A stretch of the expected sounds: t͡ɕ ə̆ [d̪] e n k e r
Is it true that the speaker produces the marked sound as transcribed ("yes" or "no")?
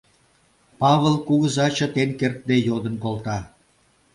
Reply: no